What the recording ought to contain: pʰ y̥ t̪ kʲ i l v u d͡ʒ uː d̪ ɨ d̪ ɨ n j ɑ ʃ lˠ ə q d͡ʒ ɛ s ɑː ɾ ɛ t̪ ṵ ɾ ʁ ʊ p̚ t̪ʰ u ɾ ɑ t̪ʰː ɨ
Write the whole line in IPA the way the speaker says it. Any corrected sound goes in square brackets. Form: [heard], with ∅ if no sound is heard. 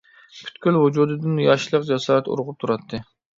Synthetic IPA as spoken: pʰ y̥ t̪ kʲ [y] l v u d͡ʒ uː d̪ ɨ d̪ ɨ n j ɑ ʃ lˠ ə q d͡ʒ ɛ s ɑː ɾ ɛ t̪ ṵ ɾ ʁ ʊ p̚ t̪ʰ u ɾ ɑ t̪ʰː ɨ